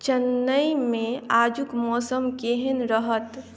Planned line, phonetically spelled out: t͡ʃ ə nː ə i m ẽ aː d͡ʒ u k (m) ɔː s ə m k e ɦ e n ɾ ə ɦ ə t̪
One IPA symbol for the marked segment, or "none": m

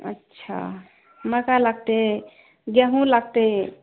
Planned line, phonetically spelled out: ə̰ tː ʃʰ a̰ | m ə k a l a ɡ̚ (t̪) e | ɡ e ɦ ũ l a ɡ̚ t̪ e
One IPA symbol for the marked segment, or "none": t̪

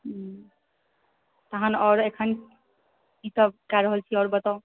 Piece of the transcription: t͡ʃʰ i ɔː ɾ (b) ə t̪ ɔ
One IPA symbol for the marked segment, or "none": b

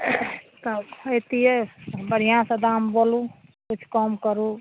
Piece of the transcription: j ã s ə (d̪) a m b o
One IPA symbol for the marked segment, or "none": d̪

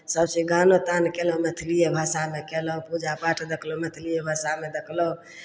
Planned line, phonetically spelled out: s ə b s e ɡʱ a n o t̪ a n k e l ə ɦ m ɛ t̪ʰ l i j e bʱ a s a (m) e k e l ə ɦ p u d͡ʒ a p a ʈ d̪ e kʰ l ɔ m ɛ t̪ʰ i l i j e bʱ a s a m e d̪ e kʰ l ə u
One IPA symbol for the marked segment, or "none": m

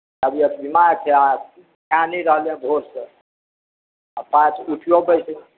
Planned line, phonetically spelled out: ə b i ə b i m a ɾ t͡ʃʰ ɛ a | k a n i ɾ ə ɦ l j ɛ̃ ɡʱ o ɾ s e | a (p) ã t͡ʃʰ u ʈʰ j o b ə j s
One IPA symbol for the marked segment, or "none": p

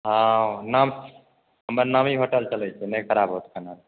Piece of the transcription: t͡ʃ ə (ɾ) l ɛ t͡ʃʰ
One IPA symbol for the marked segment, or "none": none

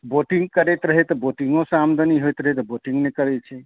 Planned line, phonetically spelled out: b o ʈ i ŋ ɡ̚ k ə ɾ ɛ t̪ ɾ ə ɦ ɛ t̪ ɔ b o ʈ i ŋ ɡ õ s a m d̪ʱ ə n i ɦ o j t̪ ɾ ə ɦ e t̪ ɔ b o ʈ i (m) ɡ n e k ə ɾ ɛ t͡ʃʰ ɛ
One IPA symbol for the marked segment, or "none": ŋ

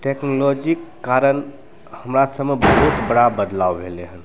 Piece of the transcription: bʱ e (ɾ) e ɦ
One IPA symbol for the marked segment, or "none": l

